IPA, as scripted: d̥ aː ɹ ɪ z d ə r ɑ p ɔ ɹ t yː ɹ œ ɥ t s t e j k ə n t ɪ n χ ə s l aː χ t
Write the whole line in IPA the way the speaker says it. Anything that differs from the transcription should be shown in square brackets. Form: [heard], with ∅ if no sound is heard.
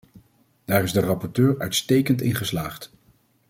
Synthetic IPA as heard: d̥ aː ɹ ɪ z d ə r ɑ p ɔ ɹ t [øː] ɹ œ ɥ t s t e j k ə n t ɪ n χ ə s l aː χ t

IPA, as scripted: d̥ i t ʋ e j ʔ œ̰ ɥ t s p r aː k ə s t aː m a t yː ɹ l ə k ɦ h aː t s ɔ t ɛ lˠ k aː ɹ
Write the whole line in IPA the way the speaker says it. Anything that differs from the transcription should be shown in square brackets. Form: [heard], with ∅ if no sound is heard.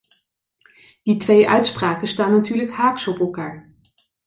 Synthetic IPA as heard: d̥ i t ʋ e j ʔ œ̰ ɥ t s p r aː k ə s t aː [n] a t yː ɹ l ə k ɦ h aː [k] s ɔ [p] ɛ lˠ k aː ɹ

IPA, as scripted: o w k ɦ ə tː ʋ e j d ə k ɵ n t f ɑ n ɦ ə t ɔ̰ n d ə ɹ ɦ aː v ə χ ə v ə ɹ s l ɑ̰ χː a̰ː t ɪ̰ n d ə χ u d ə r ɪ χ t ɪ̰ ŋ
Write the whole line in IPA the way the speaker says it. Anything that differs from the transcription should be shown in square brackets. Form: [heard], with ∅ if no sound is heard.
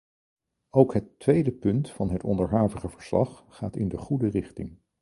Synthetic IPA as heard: o w k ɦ ə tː ʋ e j d ə [p] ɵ n t f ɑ n ɦ ə t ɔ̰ n d ə ɹ ɦ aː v ə χ ə v ə ɹ s l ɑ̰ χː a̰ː t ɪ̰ n d ə χ u d ə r ɪ χ t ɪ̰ ŋ

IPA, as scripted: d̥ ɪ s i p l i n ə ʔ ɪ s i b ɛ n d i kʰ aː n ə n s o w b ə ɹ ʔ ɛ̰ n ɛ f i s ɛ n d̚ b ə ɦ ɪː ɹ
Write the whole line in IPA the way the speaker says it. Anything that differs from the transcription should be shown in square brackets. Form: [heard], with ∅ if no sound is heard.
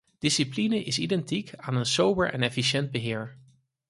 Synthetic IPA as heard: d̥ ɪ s i p l i n ə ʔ ɪ s i [d] ɛ n [t] i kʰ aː n ə n s o w b ə ɹ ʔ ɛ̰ n ɛ f i [ʃ] ɛ n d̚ b ə ɦ ɪː ɹ

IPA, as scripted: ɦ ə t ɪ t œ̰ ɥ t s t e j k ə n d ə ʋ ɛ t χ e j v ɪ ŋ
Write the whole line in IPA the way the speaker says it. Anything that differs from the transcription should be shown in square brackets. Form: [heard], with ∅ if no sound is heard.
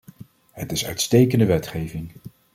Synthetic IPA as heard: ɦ ə t ɪ [s] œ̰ ɥ t s t e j k ə n d ə ʋ ɛ t χ e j v ɪ ŋ

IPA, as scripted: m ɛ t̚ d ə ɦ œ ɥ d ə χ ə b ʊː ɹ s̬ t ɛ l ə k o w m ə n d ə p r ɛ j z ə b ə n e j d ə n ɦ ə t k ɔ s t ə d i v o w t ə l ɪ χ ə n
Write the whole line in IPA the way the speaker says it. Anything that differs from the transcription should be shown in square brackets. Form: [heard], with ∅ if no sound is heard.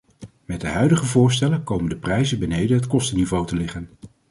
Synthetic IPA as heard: m ɛ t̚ d ə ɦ œ ɥ d ə χ ə [v] ʊː ɹ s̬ t ɛ l ə k o w m ə n d ə p r ɛ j z ə b ə n e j d ə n ɦ ə t k ɔ s t ə [n] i v o w t ə l ɪ χ ə n

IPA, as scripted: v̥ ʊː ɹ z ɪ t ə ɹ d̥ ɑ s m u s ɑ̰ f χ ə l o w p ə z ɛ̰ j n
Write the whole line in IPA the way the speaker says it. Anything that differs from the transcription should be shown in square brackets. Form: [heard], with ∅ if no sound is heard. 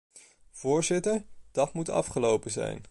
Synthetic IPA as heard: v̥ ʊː ɹ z ɪ t ə ɹ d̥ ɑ [t] m u [t] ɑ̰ f χ ə l o w p ə z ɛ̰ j n

